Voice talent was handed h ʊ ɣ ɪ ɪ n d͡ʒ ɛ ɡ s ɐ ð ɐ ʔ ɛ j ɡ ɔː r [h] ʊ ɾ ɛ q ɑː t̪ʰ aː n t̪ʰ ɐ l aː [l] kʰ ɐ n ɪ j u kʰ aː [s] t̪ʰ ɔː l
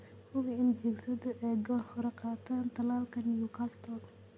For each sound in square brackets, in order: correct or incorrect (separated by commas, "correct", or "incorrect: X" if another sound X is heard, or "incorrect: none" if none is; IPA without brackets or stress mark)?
correct, correct, correct